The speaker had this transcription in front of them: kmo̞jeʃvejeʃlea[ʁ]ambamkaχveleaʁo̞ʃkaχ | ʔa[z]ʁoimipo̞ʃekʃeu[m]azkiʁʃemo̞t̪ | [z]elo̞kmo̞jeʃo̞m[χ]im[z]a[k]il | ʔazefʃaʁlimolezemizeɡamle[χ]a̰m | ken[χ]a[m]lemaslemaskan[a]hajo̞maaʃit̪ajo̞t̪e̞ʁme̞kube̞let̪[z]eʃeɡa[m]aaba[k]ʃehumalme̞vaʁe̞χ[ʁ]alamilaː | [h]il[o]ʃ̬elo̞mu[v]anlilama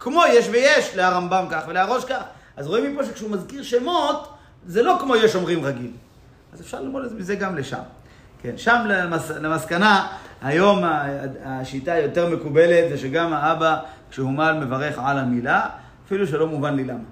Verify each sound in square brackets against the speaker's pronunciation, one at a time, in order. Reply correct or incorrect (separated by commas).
correct, correct, correct, correct, incorrect, incorrect, incorrect, incorrect, incorrect, correct, correct, correct, correct, correct, incorrect, incorrect, incorrect, correct